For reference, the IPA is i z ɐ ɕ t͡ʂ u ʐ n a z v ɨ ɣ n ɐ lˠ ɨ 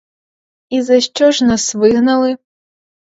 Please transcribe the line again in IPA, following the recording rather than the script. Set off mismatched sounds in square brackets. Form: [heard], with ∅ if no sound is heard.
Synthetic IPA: i z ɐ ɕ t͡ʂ [ɔ] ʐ n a [s] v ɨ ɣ n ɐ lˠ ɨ

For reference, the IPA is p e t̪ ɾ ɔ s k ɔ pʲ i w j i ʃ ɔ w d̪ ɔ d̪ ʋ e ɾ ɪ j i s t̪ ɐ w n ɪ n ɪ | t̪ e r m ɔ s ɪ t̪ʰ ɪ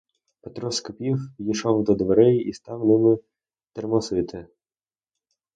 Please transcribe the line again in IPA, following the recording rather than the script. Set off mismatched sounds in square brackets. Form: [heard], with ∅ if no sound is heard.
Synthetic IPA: p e t̪ ɾ ɔ s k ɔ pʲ i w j i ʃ ɔ w d̪ ɔ d̪ ʋ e ɾ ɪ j i s t̪ [ɑ] w n ɪ [m] ɪ | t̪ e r m ɔ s ɪ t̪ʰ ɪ

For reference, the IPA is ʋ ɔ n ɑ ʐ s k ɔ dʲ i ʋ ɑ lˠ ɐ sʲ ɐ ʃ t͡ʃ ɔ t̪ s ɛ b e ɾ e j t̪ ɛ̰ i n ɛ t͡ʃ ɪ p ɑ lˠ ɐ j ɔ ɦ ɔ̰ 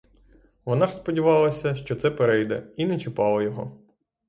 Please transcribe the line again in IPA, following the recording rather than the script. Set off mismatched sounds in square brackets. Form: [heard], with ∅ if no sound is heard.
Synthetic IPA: ʋ ɔ n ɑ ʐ s [p] ɔ dʲ i ʋ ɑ lˠ ɐ sʲ ɐ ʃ t͡ʃ ɔ t̪ s ɛ [p] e ɾ [ɛ] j [d̪] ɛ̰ i n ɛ t͡ʃ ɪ p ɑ lˠ ɐ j ɔ ɦ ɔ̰

